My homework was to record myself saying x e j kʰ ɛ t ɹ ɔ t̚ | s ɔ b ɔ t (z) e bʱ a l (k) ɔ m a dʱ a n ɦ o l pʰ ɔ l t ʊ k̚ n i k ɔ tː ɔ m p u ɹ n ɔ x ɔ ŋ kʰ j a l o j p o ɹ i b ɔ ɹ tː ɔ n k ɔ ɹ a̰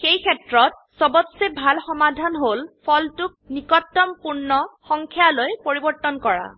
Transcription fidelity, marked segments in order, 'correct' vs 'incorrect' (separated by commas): incorrect, incorrect